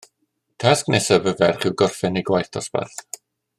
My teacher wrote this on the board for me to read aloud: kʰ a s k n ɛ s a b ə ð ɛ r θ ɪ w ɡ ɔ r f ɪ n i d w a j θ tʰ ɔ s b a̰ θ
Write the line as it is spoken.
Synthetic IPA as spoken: tʰ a s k n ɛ s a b ə v ɛ r χ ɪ w ɡ ɔ r f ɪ n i ɡ w a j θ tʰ ɔ s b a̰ θ